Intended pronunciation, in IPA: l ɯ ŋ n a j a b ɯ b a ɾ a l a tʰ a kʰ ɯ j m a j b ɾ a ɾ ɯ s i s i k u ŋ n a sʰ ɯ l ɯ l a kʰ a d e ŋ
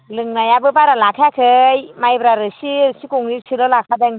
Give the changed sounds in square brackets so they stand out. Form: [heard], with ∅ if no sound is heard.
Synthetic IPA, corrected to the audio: l ɯ ŋ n a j a b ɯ b a ɾ a l a [kʰ] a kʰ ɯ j m a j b ɾ a ɾ ɯ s i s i k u ŋ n [i] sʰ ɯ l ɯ l a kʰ a d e ŋ